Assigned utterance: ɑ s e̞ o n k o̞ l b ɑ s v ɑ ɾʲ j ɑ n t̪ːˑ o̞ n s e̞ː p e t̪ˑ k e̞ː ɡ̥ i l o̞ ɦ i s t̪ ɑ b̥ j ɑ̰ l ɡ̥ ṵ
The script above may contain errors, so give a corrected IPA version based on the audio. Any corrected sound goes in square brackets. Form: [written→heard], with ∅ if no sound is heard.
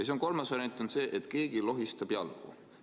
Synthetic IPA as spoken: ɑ s e̞ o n k o̞ l [b→m] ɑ s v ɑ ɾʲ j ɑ n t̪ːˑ o̞ n s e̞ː [p→ʔ] e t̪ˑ k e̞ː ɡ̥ i l o̞ ɦ i s t̪ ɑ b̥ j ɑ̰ l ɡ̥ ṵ